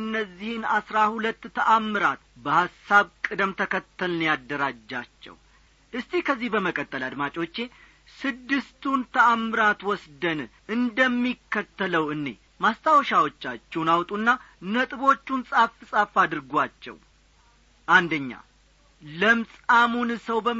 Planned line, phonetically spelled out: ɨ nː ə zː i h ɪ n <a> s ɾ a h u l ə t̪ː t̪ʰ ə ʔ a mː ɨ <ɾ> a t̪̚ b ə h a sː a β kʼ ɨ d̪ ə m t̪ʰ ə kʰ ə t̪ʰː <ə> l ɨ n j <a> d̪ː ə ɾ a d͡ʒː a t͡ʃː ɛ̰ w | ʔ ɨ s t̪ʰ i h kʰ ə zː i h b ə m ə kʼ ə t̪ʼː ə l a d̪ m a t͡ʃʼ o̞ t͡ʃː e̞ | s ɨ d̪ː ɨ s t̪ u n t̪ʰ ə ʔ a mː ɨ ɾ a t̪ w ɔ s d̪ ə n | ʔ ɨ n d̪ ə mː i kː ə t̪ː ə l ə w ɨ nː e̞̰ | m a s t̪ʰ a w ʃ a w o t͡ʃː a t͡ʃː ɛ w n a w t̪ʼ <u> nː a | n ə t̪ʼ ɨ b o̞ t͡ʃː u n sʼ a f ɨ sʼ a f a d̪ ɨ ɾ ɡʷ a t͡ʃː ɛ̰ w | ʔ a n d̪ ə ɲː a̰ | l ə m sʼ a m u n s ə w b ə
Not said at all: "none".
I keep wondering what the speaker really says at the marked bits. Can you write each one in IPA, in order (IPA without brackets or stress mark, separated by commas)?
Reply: a, ɾ, ə, a, u